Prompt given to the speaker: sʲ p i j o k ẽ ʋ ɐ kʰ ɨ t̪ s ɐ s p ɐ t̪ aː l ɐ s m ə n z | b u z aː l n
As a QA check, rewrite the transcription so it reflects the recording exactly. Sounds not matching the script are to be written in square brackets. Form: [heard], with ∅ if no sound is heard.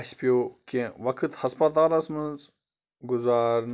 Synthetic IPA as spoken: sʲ p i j o k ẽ ʋ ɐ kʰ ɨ t̪ [h] ɐ s p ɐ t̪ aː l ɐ s m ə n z | [ɡ] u z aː [ɾ] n